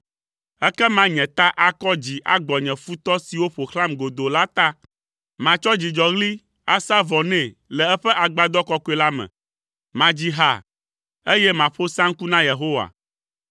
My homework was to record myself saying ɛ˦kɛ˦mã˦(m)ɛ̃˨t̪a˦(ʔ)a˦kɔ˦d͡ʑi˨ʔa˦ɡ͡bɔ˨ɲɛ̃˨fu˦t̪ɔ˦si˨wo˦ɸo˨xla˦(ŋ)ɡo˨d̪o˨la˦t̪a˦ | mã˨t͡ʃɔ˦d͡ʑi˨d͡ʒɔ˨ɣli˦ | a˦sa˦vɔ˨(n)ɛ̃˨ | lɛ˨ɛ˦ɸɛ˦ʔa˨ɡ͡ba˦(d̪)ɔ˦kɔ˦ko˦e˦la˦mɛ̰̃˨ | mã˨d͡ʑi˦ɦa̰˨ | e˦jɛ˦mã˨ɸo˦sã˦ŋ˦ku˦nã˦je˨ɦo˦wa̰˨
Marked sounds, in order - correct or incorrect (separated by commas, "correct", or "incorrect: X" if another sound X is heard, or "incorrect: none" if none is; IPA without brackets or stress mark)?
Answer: incorrect: ɲ, correct, incorrect: m, correct, correct